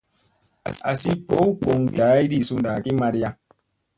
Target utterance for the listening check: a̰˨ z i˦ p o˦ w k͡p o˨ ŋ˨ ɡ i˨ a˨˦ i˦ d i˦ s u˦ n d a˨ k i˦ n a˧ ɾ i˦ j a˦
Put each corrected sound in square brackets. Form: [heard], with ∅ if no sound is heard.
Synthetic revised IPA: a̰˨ [s] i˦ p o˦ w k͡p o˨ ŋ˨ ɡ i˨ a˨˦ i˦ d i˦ s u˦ n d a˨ k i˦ [m] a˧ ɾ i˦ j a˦